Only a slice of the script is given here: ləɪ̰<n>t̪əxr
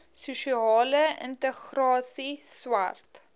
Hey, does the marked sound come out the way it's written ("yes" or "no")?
yes